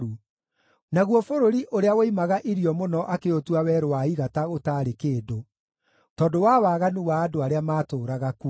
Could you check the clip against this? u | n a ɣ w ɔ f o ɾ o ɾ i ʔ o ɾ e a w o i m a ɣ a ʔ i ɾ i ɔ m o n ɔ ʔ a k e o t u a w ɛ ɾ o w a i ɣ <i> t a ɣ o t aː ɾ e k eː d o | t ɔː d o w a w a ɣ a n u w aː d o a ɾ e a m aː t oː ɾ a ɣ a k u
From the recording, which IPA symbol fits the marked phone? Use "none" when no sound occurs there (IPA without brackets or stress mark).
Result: a